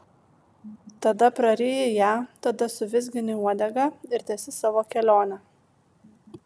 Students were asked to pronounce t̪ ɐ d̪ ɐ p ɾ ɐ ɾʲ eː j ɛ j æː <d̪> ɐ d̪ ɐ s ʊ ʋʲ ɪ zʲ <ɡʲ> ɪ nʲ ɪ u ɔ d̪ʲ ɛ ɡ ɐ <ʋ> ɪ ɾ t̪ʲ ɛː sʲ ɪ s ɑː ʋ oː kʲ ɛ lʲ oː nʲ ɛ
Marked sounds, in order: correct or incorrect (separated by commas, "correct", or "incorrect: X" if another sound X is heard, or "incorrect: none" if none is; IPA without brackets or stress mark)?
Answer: incorrect: t̪, correct, incorrect: none